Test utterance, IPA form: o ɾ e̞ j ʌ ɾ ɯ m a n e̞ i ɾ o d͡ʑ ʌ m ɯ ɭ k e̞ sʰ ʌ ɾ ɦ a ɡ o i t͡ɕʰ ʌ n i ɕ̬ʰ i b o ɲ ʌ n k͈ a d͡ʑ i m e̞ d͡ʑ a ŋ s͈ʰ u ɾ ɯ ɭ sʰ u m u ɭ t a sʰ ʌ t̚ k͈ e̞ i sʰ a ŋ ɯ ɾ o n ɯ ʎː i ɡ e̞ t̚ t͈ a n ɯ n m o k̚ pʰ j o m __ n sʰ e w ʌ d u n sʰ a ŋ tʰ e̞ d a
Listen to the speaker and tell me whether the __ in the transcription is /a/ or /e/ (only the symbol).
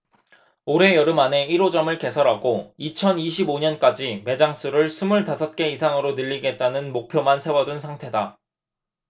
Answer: a